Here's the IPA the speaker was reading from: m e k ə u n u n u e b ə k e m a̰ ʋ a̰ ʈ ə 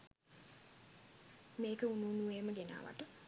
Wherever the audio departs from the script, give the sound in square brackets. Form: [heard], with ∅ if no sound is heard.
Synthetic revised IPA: m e k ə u n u n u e [m] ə [ɡ] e [n] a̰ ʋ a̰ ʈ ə

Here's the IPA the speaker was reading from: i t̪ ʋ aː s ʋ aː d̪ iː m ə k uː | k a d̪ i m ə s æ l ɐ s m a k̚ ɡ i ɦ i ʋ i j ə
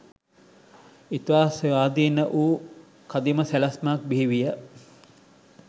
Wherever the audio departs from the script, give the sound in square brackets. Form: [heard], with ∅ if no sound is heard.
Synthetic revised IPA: i t̪ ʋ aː s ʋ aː d̪ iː [n] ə [ʔ] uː | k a d̪ i m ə s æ l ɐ s m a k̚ [b] i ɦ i ʋ i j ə

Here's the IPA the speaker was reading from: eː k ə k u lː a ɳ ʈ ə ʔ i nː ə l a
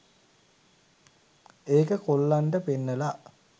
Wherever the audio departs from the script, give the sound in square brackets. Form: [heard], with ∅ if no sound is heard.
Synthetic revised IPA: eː k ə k [o] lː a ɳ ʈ ə [p] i nː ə l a

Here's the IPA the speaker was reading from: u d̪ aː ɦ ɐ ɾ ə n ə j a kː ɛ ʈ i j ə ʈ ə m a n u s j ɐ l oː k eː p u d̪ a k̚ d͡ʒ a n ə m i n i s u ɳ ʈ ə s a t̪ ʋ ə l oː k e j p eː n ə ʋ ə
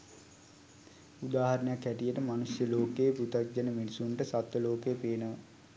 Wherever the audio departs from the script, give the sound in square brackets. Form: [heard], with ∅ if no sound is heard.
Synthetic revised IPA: u d̪ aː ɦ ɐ ɾ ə n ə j a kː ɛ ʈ i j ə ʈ ə m a n u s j [ə] l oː k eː p u [t̪] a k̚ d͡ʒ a n ə m i n i s u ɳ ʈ ə s a t̪ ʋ ə l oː k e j p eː n ə ʋ ə

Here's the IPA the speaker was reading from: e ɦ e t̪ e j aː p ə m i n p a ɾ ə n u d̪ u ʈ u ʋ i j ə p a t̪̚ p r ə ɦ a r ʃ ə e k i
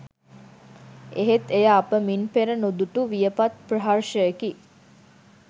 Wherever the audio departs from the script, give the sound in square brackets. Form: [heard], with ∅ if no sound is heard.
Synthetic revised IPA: e ɦ e t̪ e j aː p ə m i n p [e] ɾ ə n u d̪ u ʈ u ʋ i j ə p a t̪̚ p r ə ɦ a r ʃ ə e k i

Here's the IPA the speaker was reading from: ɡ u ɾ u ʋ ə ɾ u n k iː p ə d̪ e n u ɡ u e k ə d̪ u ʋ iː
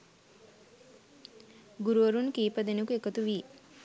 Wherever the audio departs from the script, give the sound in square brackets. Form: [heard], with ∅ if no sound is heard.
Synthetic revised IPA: ɡ u ɾ u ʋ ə ɾ u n k iː p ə d̪ e n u [k] u e k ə [t̪] u ʋ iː

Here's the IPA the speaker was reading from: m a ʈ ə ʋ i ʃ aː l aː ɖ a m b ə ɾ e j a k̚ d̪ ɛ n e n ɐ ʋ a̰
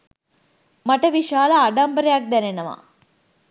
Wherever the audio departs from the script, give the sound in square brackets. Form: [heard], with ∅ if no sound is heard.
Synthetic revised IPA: m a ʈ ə ʋ i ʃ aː l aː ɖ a m b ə ɾ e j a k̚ d̪ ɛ n e n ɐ ʋ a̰

